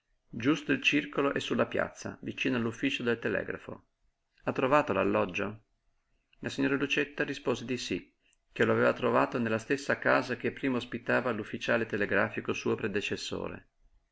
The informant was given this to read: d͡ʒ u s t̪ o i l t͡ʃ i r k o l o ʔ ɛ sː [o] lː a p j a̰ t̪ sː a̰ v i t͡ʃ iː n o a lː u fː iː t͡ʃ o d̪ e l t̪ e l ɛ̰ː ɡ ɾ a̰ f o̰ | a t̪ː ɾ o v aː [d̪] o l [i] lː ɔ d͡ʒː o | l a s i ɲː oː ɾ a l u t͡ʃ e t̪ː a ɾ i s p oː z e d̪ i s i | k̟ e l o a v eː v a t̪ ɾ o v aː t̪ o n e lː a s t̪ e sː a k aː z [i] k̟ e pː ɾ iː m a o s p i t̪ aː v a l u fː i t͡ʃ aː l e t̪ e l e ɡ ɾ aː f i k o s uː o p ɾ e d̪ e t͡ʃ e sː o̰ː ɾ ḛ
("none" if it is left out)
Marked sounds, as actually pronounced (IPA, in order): u, t̪, a, a

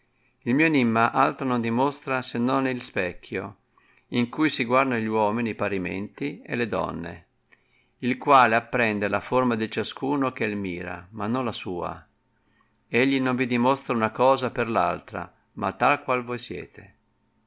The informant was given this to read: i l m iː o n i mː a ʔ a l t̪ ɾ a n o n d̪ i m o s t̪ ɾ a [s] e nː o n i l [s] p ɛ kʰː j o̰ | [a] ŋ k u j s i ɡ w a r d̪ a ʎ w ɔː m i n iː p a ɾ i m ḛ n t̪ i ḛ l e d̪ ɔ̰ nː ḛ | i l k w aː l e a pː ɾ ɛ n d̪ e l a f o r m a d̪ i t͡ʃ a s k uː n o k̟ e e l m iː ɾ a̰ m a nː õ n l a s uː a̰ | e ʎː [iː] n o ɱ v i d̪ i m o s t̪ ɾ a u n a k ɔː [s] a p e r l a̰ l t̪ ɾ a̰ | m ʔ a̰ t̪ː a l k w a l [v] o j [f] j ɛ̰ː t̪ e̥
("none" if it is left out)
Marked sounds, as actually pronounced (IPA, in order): s, s, i, i, z, v, s

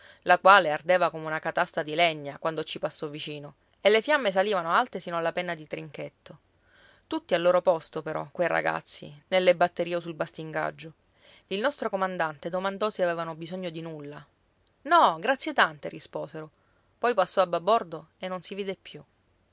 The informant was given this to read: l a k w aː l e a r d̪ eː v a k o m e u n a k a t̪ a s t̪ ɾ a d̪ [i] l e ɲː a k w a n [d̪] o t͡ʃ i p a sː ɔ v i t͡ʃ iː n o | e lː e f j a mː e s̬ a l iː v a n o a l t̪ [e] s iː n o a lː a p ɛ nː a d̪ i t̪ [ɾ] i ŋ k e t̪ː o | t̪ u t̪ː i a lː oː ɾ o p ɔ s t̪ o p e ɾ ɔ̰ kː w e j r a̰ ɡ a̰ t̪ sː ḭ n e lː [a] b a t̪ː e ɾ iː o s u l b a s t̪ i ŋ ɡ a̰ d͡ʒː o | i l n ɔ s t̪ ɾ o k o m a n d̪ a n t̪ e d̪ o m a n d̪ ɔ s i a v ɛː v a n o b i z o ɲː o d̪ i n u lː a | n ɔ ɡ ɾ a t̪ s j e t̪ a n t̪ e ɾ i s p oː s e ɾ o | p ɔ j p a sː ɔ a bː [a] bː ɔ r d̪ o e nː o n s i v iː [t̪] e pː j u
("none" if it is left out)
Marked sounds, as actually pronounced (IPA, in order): i, d̪, e, ɾ, e, a, d̪

